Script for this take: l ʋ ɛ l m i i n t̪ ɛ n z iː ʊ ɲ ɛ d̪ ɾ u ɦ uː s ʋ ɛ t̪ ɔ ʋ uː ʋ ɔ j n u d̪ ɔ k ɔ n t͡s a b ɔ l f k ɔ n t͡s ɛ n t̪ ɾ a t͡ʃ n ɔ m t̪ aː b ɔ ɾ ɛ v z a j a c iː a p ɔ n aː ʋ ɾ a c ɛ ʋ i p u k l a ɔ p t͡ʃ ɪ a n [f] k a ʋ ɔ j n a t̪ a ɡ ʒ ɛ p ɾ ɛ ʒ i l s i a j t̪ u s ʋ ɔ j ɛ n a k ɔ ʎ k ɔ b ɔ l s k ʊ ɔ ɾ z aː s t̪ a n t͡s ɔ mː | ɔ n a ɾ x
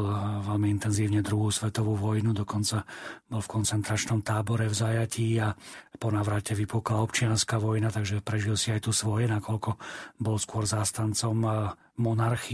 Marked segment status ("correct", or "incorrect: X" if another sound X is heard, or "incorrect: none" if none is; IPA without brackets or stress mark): incorrect: s